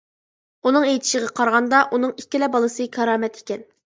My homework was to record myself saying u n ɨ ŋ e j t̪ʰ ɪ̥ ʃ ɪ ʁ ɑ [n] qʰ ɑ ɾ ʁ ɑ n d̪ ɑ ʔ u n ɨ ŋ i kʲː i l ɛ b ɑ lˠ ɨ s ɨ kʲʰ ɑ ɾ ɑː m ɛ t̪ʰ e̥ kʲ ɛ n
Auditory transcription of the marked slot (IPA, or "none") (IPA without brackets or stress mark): none